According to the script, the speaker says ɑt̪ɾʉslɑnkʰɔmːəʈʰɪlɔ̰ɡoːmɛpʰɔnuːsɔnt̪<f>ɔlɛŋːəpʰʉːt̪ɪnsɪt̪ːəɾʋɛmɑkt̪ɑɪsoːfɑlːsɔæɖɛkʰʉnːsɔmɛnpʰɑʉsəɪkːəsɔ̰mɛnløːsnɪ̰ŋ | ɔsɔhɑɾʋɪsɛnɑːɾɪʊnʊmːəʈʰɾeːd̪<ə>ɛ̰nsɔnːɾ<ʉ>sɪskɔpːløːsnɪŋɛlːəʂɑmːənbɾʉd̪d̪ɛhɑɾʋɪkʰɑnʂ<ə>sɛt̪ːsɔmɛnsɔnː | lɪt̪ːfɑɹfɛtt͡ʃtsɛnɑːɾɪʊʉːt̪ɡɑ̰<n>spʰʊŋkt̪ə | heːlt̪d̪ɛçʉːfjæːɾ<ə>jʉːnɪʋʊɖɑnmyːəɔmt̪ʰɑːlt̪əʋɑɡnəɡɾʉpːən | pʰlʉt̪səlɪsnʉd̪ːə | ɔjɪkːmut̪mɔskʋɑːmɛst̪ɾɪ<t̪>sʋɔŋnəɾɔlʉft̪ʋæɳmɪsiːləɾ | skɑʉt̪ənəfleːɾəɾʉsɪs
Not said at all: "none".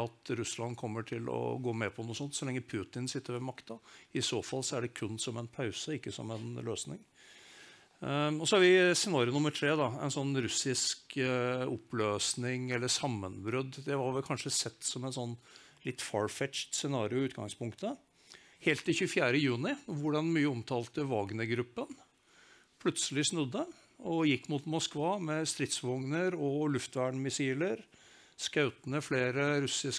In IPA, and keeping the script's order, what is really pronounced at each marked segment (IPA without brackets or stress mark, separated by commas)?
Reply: s, ɑ, ʉ, ə, ŋ, ə, t̪